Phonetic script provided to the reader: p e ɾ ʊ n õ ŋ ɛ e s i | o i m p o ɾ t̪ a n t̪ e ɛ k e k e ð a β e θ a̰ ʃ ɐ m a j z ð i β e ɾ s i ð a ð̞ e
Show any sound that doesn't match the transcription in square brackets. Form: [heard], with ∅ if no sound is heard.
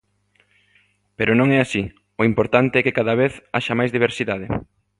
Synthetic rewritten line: p e ɾ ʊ n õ ŋ ɛ [a] s i | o i m p o ɾ t̪ a n t̪ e ɛ k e k [a] ð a β e θ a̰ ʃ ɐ m a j z ð i β e ɾ s i ð a ð̞ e